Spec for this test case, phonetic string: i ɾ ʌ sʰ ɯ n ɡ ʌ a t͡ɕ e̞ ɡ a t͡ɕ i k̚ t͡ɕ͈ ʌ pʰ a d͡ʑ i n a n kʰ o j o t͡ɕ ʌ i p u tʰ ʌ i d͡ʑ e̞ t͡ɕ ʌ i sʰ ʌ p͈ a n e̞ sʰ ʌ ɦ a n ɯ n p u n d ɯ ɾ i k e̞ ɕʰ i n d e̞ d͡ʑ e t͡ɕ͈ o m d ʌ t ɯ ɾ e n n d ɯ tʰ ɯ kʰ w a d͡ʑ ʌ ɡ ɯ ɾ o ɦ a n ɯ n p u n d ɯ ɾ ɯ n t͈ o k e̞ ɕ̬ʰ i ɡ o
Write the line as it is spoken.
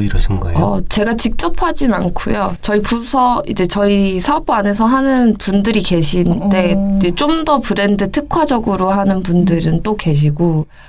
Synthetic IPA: i ɾ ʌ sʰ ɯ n ɡ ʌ ʌ t͡ɕ e̞ ɡ a t͡ɕ i k̚ t͡ɕ͈ ʌ pʰ a d͡ʑ i n a n kʰ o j o t͡ɕ ʌ i p u sʰ ʌ i d͡ʑ e̞ t͡ɕ ʌ i sʰ a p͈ a n e̞ sʰ ʌ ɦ a n ɯ n p u n d ɯ ɾ i k e̞ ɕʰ i n d e̞ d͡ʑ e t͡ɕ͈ o m d ʌ p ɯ ɾ e n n d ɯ tʰ ɯ kʰ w a d͡ʑ ʌ ɡ ɯ ɾ o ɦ a n ɯ n p u n d ɯ ɾ ɯ n t͈ o k e̞ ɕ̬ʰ i ɡ o